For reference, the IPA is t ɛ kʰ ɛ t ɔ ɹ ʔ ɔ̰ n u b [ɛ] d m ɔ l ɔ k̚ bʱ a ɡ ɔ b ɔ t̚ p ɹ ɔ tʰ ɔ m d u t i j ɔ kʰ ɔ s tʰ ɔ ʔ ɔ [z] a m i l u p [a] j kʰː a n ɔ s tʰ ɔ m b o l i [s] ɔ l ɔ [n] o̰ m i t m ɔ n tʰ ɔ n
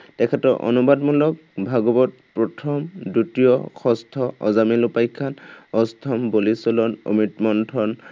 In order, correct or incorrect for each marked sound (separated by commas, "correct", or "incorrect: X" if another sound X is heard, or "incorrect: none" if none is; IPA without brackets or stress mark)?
incorrect: a, correct, correct, correct, correct